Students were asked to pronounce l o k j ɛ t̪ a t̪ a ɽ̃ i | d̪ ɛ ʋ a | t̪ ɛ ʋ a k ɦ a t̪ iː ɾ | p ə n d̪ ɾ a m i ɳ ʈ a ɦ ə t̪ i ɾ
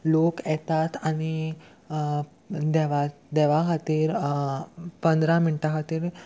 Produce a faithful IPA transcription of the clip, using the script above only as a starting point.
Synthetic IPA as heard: l o k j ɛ t̪ a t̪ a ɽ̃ i | d̪ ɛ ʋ a | d̪ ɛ ʋ a ɦ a t̪ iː ɾ | p ə n d̪ ɾ a m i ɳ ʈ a ɦ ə t̪ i ɾ